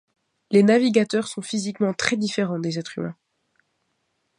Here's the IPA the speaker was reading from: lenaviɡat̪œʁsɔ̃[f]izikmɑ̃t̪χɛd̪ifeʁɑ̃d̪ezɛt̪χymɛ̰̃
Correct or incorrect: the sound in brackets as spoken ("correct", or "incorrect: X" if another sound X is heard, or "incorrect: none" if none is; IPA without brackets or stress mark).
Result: correct